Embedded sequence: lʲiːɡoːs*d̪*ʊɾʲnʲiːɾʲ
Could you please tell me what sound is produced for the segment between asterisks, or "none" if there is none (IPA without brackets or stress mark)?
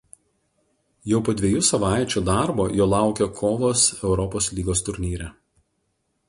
t̪